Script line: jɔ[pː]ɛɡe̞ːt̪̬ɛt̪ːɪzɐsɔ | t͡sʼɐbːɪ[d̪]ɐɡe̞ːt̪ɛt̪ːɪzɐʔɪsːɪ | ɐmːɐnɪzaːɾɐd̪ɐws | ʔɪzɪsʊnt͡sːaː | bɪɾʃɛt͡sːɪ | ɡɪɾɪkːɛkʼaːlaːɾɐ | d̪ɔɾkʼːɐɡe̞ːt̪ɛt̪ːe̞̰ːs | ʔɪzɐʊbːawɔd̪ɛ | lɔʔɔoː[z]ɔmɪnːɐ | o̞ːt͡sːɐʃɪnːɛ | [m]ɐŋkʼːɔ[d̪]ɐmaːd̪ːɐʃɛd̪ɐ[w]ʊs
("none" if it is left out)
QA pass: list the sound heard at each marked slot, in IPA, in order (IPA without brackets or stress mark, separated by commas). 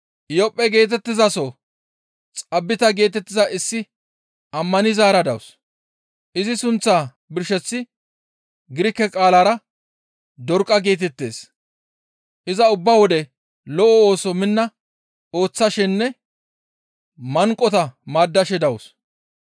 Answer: pʼː, t̪, s, m, t̪, w